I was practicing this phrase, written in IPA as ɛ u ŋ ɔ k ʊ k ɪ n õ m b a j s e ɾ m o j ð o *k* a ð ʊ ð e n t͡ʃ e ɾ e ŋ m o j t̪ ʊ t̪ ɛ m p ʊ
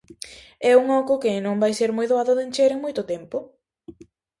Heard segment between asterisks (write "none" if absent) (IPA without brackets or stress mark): none